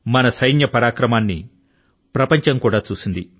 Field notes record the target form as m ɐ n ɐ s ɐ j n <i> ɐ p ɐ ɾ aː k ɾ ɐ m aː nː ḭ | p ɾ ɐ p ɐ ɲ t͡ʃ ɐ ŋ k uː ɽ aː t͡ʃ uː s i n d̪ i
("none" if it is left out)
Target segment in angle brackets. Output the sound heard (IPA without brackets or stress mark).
j